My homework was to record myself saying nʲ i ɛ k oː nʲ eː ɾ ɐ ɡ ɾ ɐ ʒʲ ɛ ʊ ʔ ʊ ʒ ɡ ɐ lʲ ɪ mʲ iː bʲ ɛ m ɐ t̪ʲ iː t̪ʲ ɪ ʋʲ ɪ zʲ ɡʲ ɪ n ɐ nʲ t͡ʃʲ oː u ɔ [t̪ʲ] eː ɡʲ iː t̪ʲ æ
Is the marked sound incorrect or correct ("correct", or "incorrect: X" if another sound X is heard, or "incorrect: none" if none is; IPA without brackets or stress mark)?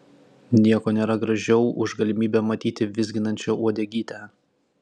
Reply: incorrect: d̪ʲ